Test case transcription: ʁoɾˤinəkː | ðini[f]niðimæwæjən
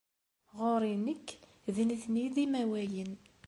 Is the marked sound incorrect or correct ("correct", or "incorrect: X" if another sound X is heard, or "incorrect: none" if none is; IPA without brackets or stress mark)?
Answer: incorrect: θ